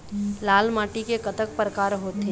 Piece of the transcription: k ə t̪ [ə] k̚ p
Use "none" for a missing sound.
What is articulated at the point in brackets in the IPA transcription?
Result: ə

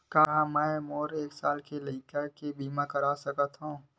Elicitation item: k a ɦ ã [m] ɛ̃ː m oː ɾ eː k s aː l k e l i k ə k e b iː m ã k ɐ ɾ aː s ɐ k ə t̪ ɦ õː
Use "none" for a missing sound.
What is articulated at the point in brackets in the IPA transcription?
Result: m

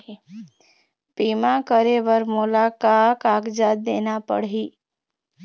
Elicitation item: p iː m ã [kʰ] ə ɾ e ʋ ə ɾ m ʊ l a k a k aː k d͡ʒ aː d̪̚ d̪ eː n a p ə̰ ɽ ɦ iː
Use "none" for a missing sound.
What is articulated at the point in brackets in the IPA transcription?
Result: k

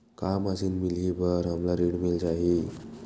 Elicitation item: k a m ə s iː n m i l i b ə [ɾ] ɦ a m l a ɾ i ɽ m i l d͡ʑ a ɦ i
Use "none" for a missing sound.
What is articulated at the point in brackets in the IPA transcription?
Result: ɾ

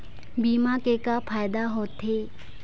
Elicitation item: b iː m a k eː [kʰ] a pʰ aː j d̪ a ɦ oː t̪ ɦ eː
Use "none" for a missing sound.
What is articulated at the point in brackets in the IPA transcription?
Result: k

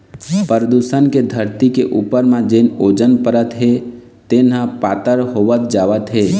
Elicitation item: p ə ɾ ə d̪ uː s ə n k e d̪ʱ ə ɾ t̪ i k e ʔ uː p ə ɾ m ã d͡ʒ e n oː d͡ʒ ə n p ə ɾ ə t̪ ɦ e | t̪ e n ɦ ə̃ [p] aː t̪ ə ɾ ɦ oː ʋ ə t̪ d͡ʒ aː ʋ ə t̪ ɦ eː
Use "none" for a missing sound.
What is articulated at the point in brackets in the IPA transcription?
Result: p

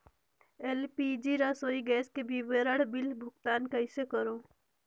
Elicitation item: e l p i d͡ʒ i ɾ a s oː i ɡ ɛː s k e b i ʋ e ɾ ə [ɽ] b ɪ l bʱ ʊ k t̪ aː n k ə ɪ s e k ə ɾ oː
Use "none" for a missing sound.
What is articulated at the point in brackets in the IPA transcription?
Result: ɽ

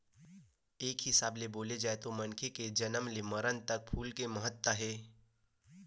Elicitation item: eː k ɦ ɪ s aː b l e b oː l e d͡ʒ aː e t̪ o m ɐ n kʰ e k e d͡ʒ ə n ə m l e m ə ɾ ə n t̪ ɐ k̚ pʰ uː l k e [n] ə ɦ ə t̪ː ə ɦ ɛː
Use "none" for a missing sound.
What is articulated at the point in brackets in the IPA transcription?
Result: m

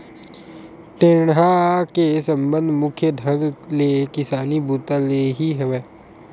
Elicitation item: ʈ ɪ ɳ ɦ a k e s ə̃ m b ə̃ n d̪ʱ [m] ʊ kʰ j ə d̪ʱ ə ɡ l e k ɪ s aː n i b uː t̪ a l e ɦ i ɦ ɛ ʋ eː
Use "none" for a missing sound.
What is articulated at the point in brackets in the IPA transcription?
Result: m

